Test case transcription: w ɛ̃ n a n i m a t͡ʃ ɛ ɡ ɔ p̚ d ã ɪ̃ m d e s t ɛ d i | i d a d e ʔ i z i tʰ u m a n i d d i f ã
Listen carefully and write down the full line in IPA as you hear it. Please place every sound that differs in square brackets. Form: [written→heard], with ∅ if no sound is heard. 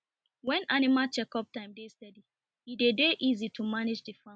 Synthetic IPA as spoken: w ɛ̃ n a n i m a t͡ʃ ɛ [ɡ→k] ɔ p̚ [d→t] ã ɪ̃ m d e s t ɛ d i | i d [a→e] d e ʔ i z i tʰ u m a n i [d→d͡ʒ] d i f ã